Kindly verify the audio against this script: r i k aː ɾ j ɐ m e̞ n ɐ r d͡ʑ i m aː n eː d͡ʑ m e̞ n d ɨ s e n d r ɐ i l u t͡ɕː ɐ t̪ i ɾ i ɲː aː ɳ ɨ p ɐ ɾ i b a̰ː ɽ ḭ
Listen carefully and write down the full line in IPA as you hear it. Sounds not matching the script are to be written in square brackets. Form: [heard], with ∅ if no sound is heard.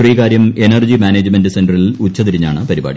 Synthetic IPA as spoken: r [iː] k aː ɾ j ɐ m e̞ n ɐ r d͡ʑ i m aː n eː d͡ʑ m e̞ n d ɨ s e n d r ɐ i l u t͡ɕː ɐ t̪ i ɾ i ɲː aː ɳ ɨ p ɐ ɾ i b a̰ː ɽ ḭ